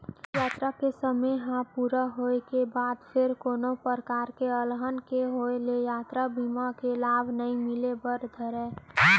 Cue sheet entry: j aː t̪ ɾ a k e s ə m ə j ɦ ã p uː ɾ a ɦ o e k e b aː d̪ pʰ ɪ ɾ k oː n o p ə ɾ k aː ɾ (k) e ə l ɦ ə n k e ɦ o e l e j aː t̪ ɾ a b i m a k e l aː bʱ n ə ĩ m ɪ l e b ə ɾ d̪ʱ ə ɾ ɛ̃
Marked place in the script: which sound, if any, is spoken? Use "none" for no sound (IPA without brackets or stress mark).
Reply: k